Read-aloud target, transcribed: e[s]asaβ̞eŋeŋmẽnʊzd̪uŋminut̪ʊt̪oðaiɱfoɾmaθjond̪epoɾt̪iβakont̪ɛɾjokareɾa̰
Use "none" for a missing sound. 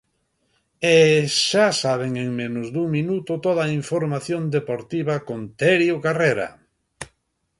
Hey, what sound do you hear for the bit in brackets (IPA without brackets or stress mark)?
ʃ